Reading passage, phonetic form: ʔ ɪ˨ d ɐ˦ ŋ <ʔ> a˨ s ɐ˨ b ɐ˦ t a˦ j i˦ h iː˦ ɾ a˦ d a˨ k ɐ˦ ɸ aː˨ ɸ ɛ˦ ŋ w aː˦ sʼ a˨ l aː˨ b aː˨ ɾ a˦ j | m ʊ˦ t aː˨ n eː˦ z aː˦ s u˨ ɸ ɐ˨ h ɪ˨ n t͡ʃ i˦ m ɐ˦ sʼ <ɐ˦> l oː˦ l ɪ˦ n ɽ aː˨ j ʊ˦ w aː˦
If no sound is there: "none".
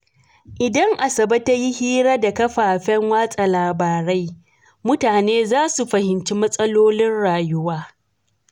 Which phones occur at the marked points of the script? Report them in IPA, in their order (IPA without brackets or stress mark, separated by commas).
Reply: ʔ, ɐ˦